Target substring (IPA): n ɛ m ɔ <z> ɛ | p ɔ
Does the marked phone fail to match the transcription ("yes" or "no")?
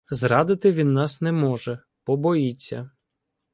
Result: yes